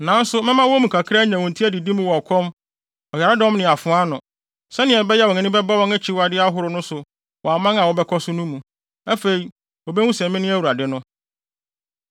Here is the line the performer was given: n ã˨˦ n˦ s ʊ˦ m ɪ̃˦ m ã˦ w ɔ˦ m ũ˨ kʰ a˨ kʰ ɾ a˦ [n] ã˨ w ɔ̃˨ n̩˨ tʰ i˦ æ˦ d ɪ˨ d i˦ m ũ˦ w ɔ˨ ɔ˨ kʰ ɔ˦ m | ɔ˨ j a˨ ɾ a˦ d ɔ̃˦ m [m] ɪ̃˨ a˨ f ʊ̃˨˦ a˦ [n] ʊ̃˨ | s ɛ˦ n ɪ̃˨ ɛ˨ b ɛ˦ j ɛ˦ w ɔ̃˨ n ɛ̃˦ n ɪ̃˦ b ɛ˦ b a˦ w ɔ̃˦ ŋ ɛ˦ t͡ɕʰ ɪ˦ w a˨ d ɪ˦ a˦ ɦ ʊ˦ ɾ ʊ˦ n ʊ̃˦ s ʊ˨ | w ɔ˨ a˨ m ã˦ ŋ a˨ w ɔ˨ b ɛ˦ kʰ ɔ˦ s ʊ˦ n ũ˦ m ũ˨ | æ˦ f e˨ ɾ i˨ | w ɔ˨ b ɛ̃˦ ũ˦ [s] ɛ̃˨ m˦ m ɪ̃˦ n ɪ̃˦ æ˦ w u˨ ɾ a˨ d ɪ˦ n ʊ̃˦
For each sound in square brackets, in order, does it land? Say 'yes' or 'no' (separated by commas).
no, no, yes, yes